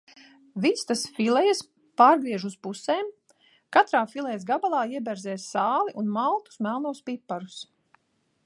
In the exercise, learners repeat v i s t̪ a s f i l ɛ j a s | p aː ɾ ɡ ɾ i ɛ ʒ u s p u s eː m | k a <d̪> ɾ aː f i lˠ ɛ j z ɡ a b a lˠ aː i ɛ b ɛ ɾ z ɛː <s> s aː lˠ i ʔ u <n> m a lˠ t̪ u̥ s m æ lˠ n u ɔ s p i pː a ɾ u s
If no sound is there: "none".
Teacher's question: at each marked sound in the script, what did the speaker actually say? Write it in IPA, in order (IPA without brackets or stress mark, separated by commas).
t̪, s, n